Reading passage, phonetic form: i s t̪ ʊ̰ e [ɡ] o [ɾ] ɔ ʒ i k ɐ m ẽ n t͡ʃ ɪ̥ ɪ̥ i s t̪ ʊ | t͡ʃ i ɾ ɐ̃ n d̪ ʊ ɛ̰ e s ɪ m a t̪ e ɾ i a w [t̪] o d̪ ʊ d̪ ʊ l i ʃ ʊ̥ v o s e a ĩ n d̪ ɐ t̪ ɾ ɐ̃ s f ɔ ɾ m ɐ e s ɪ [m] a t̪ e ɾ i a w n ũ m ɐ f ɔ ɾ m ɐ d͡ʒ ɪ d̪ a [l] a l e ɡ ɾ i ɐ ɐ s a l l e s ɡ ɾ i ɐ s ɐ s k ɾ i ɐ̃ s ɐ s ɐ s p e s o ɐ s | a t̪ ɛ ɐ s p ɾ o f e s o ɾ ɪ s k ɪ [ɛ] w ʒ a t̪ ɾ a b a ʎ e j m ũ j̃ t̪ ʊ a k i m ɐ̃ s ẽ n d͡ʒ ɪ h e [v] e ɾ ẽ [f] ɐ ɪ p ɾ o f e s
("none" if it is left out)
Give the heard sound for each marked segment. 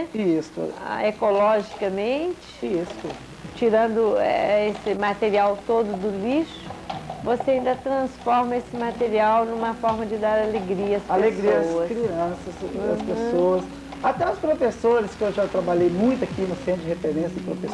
k, l, t̪, m, ɾ, e, f, s

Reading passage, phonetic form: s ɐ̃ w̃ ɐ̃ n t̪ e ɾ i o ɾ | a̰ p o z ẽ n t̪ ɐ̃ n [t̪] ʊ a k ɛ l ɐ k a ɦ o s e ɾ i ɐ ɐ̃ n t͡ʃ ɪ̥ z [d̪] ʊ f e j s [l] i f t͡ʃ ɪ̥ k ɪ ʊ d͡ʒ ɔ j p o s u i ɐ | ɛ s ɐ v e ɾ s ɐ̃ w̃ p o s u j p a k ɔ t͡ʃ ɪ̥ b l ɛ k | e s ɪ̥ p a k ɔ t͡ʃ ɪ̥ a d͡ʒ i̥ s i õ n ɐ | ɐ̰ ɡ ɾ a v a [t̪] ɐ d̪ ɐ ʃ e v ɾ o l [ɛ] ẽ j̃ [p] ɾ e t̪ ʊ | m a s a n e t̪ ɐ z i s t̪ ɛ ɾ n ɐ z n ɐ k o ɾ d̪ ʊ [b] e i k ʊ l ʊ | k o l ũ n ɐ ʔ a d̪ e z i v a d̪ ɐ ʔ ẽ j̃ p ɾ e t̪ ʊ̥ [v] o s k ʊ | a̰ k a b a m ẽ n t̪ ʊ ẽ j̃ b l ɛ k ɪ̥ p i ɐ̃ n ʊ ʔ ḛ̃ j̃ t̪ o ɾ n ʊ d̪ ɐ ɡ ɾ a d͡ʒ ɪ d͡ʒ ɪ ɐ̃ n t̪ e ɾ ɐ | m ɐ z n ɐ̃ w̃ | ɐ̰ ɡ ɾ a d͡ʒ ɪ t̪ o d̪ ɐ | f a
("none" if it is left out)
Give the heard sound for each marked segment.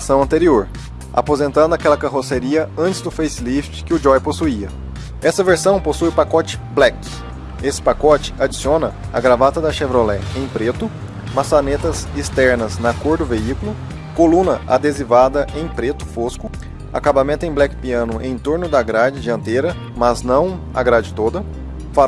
d̪, d̪, l, t̪, ɛ, p, v, f

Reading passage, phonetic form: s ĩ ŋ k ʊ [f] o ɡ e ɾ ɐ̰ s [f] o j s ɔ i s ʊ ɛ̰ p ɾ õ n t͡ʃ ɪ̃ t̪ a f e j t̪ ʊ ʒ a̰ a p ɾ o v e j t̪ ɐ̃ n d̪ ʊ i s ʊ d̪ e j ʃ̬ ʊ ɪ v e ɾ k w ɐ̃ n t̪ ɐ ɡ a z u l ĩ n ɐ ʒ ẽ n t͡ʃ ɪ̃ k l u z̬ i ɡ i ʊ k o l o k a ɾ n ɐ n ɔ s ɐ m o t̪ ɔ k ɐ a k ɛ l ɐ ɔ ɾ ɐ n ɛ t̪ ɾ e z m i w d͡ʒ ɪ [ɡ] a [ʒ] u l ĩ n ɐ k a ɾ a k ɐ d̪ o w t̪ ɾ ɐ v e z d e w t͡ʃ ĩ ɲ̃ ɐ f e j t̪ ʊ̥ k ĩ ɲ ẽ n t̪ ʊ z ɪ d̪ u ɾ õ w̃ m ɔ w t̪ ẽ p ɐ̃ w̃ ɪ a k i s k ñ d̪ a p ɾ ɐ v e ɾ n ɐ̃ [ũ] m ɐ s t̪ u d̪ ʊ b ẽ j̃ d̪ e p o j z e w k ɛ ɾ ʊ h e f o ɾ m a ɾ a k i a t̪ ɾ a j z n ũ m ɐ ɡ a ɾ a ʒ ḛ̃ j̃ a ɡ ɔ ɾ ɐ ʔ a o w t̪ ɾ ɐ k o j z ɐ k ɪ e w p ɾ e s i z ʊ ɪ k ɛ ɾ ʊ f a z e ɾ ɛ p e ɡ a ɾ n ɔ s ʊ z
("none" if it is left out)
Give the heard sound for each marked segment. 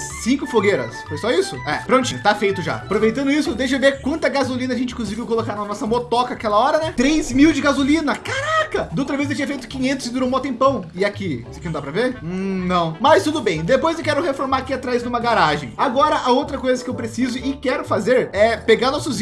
f, f, ɡ, z, w̃

